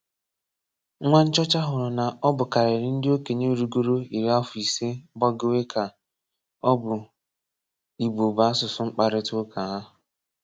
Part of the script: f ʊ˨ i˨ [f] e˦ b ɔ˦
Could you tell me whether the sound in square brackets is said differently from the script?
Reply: yes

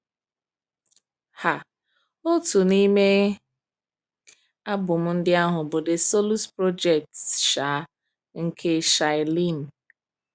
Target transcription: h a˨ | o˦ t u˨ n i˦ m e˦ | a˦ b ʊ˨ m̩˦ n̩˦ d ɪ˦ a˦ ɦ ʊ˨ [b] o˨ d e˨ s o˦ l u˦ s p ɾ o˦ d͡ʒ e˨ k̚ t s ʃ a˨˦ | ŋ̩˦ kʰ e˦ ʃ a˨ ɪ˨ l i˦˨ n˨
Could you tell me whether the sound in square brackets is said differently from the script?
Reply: no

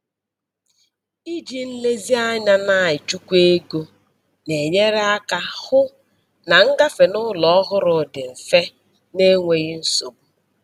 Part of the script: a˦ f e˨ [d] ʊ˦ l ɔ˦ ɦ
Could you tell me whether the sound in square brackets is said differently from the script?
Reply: yes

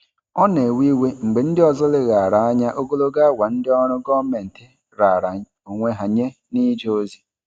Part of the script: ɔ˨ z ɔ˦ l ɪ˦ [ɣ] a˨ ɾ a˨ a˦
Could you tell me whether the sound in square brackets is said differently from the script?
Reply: no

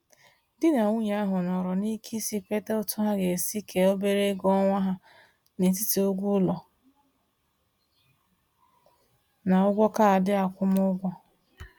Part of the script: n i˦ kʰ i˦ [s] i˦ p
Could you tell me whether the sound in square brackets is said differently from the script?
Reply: no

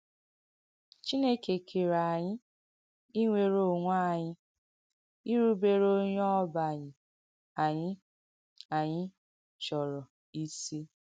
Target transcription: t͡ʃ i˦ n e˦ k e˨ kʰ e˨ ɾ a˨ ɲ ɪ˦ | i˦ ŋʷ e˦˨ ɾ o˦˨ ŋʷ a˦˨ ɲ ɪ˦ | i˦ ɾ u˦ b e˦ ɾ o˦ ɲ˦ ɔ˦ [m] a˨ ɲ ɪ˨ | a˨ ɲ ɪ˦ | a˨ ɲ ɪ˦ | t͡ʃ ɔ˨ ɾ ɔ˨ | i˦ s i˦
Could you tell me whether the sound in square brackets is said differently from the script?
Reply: yes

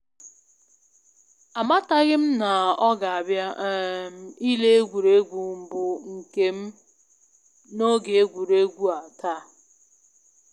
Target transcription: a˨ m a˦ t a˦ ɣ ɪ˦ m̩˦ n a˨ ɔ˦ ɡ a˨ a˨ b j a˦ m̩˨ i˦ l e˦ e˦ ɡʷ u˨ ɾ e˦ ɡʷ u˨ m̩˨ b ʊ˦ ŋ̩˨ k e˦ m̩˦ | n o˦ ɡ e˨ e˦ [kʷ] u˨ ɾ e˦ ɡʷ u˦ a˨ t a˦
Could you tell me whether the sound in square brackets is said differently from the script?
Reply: yes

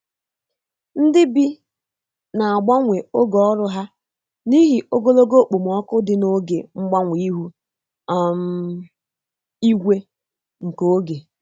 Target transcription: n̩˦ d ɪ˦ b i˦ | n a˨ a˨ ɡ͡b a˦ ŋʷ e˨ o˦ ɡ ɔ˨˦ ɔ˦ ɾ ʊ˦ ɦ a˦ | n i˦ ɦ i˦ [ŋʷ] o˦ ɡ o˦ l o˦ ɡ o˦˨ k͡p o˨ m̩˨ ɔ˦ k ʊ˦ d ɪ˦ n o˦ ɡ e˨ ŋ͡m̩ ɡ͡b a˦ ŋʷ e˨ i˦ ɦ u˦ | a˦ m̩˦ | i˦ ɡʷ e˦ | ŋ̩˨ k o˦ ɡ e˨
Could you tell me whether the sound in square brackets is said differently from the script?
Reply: yes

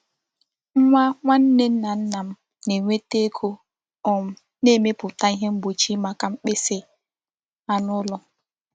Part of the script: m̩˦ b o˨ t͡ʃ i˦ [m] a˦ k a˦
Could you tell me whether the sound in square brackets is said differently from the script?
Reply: no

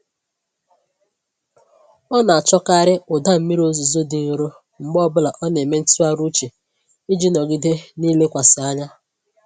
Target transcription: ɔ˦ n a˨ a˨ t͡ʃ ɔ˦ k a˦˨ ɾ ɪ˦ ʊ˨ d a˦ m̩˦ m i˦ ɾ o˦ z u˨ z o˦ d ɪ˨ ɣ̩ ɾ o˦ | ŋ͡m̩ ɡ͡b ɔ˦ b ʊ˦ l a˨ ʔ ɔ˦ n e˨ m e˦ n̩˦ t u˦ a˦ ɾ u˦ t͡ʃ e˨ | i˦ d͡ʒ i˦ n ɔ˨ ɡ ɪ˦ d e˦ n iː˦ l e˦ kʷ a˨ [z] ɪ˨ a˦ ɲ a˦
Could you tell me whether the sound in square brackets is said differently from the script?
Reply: yes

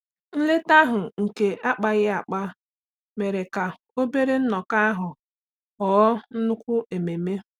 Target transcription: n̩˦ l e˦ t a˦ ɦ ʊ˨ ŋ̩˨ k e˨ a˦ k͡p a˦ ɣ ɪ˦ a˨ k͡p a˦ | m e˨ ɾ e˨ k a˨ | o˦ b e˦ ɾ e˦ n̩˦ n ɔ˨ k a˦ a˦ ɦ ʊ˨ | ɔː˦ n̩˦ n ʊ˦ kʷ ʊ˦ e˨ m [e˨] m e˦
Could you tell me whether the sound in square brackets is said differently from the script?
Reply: no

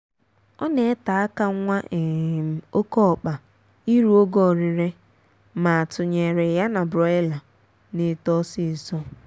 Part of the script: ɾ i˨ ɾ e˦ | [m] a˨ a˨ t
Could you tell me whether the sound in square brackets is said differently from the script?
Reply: no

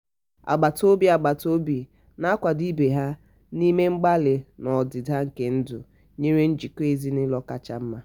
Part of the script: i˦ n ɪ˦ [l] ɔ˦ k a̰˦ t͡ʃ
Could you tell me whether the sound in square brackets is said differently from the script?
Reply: no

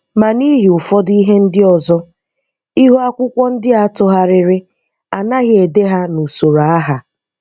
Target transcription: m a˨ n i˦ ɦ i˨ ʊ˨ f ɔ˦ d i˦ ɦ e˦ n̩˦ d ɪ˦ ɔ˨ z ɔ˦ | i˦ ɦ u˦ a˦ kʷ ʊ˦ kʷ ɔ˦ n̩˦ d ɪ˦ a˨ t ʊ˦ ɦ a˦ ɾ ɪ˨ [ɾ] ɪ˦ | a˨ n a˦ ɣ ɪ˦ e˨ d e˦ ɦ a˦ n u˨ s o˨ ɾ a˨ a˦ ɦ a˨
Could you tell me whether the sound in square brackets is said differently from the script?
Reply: no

